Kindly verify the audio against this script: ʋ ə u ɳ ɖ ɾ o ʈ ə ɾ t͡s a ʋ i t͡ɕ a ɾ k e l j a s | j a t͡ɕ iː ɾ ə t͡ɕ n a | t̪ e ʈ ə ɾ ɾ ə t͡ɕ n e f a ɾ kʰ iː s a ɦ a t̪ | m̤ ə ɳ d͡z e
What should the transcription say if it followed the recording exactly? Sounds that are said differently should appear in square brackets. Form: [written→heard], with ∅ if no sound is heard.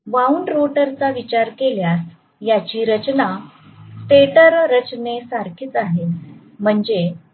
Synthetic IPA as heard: ʋ [ə→a] u ɳ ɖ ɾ o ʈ ə ɾ t͡s a ʋ i t͡ɕ a ɾ k e l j a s | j a t͡ɕ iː ɾ ə t͡ɕ n a | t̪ e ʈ ə ɾ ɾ ə t͡ɕ n e [f→s] a ɾ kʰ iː [s→t͡s] a ɦ [a→e] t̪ | m̤ ə ɳ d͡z e

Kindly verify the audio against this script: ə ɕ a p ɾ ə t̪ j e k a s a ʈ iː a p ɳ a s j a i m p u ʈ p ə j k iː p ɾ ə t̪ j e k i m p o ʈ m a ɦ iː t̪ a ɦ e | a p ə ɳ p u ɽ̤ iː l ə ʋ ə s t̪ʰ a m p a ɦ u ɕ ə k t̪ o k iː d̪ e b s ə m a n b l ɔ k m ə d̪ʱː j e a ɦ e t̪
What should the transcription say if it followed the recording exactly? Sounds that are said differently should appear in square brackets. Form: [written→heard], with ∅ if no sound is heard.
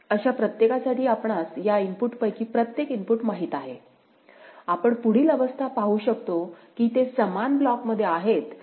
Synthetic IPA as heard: ə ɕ a p ɾ ə t̪ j e k a s a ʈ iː a p ɳ a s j a i m p u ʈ p ə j k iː p ɾ ə t̪ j e k i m p [o→u] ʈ m a ɦ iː t̪ a ɦ e | a p ə ɳ p u ɽ̤ iː l ə ʋ ə s t̪ʰ a [m→∅] p a ɦ u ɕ ə k t̪ o k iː [d̪→t̪] e [b→∅] s ə m a n b l ɔ k m ə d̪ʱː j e a ɦ e t̪

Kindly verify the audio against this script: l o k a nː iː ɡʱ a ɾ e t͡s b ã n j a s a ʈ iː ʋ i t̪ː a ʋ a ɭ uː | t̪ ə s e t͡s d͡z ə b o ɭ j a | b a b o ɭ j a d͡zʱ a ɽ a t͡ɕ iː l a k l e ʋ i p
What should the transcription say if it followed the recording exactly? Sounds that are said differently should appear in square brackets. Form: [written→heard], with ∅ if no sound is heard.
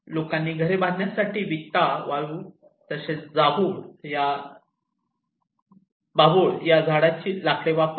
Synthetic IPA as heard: l o k a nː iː ɡʱ [a→ə] ɾ e [t͡s→∅] b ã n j a s a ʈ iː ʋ i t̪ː a ʋ a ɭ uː | t̪ ə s e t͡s d͡z [ə→a] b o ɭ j a | b a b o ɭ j a d͡zʱ a ɽ a t͡ɕ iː l a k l e ʋ [i→a] p

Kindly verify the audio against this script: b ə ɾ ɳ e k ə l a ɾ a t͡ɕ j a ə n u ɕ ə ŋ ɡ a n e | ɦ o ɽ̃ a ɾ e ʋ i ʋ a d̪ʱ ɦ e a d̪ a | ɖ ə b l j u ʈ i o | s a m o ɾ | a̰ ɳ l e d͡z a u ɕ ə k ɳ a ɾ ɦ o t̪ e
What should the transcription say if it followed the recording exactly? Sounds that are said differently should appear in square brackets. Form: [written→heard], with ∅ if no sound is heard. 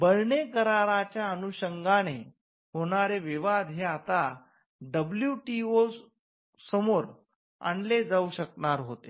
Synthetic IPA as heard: b ə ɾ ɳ e k ə [l→ɾ] a ɾ a t͡ɕ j a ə n u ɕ ə ŋ ɡ a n e | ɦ o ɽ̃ a ɾ e ʋ i ʋ a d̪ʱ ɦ e a [d̪→t̪] a | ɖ ə b l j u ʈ i o | s [a→ə] m o ɾ | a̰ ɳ l e d͡z a u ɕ ə k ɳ a ɾ ɦ o t̪ e

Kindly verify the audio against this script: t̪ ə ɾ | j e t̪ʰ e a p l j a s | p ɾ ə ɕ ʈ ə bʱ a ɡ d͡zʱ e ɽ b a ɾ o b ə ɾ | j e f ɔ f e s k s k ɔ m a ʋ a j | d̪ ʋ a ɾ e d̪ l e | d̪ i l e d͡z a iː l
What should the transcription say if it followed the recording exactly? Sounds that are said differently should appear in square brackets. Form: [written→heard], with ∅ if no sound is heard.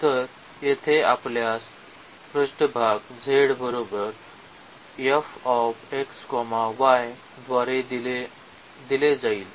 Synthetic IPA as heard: t̪ ə ɾ | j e t̪ʰ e a p l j a s | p ɾ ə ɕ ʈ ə bʱ a ɡ d͡zʱ e ɽ b [a→ə] ɾ o b ə ɾ | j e f ɔ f e [s→∅] k s k ɔ m a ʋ a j | d̪ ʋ a ɾ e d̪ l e | d̪ i l e d͡z a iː l

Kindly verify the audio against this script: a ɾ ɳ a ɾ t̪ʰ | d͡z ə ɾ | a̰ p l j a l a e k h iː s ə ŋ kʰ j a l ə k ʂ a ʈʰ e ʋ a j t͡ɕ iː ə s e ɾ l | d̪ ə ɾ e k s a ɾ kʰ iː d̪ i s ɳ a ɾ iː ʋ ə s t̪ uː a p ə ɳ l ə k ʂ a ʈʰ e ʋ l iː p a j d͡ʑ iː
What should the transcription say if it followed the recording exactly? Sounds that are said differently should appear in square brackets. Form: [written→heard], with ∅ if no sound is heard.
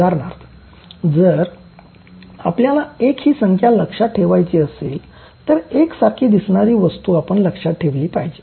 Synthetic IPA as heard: a ɾ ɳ a ɾ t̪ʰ | d͡z ə ɾ | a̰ p l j a l a e k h iː s ə ŋ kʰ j a l ə k ʂ a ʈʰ e ʋ a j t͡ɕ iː ə s e [ɾ→∅] l | [d̪→t̪] ə ɾ e k s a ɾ kʰ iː d̪ i s ɳ a ɾ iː ʋ ə s t̪ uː a p ə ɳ l ə k ʂ a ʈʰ e ʋ l iː p a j d͡ʑ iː

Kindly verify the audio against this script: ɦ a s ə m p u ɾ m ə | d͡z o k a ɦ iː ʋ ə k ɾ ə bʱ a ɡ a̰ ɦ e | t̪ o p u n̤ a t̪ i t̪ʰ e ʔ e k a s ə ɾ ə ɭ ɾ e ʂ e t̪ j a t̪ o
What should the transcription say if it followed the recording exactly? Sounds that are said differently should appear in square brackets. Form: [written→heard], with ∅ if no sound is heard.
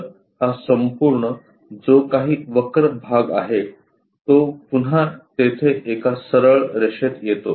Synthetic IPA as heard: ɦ a s ə m p u ɾ [m→ɳ] ə | d͡z o k a ɦ iː ʋ ə k ɾ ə bʱ a ɡ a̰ ɦ e | t̪ o p u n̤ a t̪ [i→e] t̪ʰ e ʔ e k a s ə ɾ ə ɭ ɾ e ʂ e t̪ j [a→e] t̪ o

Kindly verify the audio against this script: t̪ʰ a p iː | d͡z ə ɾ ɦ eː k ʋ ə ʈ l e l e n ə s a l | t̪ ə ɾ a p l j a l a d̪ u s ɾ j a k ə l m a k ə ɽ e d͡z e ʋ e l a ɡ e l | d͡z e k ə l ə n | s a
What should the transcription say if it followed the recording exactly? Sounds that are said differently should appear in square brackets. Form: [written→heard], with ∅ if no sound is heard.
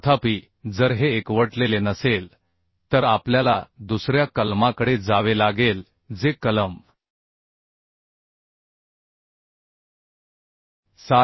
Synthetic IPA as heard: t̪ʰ a p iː | d͡z ə ɾ ɦ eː k ʋ ə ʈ l e l e n ə s [a→e] l | t̪ ə ɾ a p l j a l a d̪ u s ɾ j a k ə l m a k ə ɽ e d͡z [e→a] ʋ e l a ɡ e l | d͡z e k ə l ə [n→m] | s a

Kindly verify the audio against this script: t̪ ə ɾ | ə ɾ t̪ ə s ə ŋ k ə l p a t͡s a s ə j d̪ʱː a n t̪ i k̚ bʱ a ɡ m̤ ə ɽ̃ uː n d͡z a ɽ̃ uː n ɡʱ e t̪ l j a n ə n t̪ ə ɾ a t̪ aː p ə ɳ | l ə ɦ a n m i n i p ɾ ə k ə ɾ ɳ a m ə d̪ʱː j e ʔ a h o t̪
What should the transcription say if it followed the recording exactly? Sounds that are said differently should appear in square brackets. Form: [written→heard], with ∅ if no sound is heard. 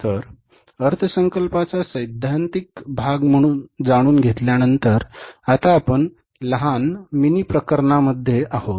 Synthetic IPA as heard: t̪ ə ɾ | ə ɾ [t̪→t̪ʰ] ə s ə ŋ k ə l p a t͡s a s ə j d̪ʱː a n t̪ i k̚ bʱ a ɡ m̤ ə ɽ̃ uː n d͡z a ɽ̃ uː n ɡʱ e t̪ l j a n ə n t̪ ə ɾ a t̪ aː p ə ɳ | l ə ɦ a n m i n i p ɾ ə k ə ɾ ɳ a m ə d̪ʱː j e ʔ a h o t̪

